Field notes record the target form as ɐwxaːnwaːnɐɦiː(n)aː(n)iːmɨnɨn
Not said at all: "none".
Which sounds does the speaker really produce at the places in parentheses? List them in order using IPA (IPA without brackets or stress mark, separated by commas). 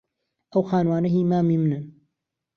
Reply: m, m